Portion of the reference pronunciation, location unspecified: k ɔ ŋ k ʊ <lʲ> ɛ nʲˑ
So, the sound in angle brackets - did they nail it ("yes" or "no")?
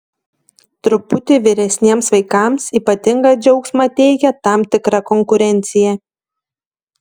no